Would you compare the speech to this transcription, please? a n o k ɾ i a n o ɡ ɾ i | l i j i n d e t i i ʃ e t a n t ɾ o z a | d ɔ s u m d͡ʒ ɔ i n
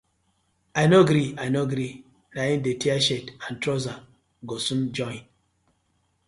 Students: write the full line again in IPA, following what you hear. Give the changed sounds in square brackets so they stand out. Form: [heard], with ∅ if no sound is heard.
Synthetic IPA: a n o [ɡ] ɾ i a n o ɡ ɾ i | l [a] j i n d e t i [a] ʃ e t a n t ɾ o z a | [ɡ] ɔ s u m d͡ʒ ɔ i n